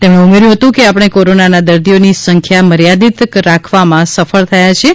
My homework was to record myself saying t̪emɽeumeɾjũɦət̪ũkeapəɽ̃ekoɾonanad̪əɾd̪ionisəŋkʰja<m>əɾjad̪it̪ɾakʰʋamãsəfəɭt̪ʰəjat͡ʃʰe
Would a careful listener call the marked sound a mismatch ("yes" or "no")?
no